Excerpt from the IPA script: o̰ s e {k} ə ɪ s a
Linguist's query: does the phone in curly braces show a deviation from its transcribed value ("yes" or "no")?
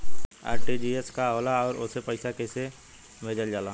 yes